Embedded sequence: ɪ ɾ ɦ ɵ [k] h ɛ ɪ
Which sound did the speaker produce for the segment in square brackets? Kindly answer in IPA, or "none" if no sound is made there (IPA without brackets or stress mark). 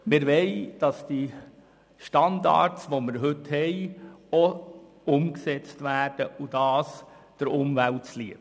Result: t